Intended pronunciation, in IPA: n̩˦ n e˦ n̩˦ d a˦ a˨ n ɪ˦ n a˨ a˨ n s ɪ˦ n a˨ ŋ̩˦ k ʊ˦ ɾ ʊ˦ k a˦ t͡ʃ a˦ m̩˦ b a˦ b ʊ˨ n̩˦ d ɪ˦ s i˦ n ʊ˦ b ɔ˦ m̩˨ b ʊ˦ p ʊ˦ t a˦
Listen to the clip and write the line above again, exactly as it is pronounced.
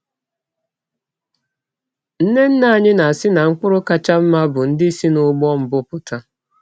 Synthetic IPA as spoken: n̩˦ n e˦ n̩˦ n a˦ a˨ ɲ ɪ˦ n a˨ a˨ s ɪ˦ n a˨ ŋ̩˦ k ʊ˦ ɾ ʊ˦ k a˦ t͡ʃ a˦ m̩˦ m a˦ b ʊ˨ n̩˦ d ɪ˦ s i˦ n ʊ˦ ɡ͡b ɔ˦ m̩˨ b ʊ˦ p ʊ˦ t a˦